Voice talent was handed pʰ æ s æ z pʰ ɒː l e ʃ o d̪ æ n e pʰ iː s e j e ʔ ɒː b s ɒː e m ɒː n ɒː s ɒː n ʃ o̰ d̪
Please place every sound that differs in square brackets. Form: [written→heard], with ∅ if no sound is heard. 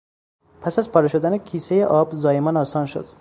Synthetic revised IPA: pʰ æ s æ z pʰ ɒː [l→ɾ] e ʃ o d̪ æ n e [pʰ→kʰ] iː s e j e ʔ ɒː b [s→z] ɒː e m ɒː n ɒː s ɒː n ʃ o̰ d̪